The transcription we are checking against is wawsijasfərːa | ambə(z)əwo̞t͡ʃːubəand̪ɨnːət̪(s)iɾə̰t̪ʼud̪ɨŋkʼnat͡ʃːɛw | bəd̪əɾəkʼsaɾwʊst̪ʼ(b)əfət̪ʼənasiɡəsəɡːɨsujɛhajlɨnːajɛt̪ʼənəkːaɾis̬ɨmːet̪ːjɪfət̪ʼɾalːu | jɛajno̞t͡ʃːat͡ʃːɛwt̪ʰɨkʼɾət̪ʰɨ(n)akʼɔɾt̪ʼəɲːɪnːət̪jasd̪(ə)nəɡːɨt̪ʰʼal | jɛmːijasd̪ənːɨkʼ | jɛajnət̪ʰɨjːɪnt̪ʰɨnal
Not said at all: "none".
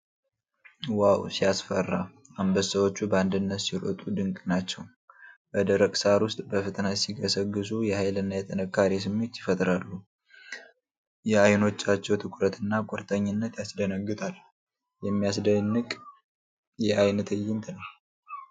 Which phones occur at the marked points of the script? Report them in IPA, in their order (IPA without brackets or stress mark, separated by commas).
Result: s, s, b, nː, ə